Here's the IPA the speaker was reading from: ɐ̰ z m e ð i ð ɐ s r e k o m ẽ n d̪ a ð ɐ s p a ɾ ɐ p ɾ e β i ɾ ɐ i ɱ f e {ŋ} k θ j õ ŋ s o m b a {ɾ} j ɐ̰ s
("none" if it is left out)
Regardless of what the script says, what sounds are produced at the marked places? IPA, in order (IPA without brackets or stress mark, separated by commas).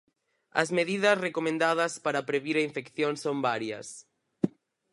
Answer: none, ɾ